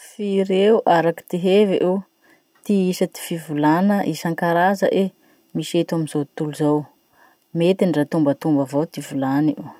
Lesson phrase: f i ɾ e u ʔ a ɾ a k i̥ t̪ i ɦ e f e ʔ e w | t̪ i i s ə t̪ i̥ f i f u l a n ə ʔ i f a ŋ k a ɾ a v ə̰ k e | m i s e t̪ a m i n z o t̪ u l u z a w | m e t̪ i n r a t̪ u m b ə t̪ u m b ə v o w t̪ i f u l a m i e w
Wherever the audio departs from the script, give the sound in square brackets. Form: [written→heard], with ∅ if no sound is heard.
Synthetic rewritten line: f i ɾ e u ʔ a ɾ a k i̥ t̪ i ɦ e [f→v] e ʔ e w | t̪ i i s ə t̪ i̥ f i [f→v] u l a n ə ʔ i [f→s] a ŋ k a ɾ a [v→z] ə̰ [k→ʔ] e | m i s e t̪ a m i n z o t̪ u l u z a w | m e t̪ i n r a t̪ u m b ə t̪ u m b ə v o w t̪ i [f→v] u l a [m→n] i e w